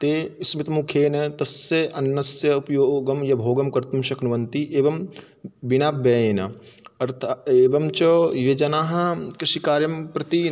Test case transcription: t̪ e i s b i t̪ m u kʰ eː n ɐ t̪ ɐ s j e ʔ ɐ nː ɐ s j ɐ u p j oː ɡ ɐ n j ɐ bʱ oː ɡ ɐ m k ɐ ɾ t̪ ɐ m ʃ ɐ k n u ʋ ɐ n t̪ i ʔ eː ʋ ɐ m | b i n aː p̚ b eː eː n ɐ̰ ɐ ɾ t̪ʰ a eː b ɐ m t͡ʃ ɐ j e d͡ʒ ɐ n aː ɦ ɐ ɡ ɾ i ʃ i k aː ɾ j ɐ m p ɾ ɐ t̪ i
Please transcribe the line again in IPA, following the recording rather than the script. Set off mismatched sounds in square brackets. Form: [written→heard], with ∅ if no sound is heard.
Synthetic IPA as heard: t̪ e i s [b→m] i t̪ m u kʰ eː n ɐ t̪ ɐ s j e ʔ ɐ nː ɐ s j ɐ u p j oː ɡ ɐ [n→m] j ɐ bʱ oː ɡ ɐ m k ɐ ɾ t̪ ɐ m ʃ ɐ k n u ʋ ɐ n t̪ i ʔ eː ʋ ɐ m | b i n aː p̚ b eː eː n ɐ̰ ɐ ɾ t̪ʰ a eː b ɐ m t͡ʃ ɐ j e d͡ʒ ɐ n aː ɦ ɐ [ɡ→k] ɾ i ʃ i k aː ɾ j ɐ m p ɾ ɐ t̪ i